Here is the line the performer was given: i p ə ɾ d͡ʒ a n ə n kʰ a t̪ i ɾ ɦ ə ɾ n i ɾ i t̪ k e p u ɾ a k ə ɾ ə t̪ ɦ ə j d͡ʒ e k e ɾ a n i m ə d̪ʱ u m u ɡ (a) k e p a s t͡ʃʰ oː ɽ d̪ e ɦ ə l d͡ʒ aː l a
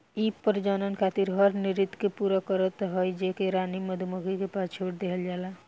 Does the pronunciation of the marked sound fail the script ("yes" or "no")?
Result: yes